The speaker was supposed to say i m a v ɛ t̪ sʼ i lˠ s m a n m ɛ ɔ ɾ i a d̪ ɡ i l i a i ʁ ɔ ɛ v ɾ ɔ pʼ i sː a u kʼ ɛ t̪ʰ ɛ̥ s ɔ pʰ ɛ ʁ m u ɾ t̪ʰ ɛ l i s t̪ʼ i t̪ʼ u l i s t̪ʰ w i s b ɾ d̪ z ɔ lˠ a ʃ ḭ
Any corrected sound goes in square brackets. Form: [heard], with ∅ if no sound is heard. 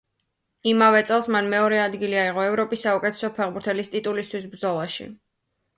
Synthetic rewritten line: i m a v ɛ t̪ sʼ [ɛ] lˠ s m a n m ɛ ɔ ɾ [ɛ] a d̪ ɡ i l i a i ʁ ɔ ɛ v ɾ ɔ pʼ i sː a u kʼ ɛ t̪ʰ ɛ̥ s ɔ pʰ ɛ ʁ [b] u ɾ t̪ʰ ɛ l i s t̪ʼ i t̪ʼ u l i s t̪ʰ w i s b ɾ d̪ z ɔ lˠ a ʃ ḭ